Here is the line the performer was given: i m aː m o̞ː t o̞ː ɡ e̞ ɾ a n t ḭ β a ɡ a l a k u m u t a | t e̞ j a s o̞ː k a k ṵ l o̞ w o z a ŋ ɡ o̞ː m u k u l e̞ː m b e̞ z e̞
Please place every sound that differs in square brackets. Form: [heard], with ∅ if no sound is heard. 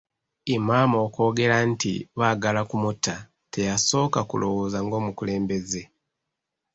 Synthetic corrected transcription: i m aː m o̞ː [k] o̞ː ɡ e̞ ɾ a n t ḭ β a ɡ a l a k u m u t a | t e̞ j a s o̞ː k a k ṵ l o̞ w o z a ŋ ɡ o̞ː m u k u l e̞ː m b e̞ z e̞